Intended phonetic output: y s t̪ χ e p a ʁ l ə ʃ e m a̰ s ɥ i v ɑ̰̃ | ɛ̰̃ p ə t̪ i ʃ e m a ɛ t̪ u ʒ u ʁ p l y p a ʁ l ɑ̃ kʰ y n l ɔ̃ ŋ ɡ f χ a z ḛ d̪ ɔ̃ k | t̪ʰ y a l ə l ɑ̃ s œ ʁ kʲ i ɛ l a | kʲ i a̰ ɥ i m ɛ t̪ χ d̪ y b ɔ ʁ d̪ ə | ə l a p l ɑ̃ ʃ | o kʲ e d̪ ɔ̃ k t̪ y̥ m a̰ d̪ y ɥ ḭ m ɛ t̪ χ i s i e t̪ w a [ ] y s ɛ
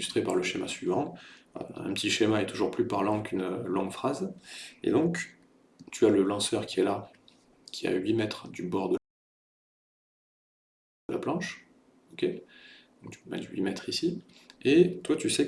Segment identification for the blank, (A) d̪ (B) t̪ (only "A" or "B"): B